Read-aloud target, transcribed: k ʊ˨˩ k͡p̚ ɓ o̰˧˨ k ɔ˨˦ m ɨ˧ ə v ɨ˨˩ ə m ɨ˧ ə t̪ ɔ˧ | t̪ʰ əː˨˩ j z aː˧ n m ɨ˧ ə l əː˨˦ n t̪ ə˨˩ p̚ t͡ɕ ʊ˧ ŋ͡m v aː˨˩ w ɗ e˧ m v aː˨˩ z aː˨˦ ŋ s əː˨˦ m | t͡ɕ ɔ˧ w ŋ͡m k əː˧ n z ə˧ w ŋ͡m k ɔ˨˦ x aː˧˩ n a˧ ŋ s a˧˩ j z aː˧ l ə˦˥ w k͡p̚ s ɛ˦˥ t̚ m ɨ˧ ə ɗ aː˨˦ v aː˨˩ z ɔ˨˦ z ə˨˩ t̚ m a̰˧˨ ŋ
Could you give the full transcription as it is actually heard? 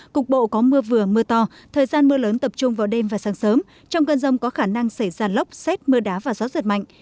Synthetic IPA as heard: k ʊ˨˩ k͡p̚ ɓ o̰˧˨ k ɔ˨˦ m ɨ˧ ə v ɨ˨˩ ə m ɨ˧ ə t̪ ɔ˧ | t̪ʰ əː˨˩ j z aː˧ n m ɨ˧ ə l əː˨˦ n t̪ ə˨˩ p̚ t͡ɕ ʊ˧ ŋ͡m v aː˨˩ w ɗ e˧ m v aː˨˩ s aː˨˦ ŋ s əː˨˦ m | t͡ɕ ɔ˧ w ŋ͡m k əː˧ n z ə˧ w ŋ͡m k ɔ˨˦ x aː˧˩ n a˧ ŋ s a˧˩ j z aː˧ l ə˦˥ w k͡p̚ s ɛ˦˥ t̚ m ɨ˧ ə ɗ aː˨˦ v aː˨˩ z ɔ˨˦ z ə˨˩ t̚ m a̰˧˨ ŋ